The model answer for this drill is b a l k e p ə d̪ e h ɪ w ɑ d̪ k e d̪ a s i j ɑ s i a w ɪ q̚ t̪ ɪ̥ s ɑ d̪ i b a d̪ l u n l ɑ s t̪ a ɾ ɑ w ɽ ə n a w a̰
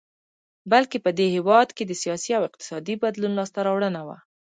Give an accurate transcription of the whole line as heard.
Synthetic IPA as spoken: b a l k e p ə d̪ e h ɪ w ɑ d̪ k e d̪ ə s i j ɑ s i a w ɪ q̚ t̪ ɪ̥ s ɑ d̪ i b a d̪ l u n l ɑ s t̪ a ɾ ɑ w ɽ ə n a w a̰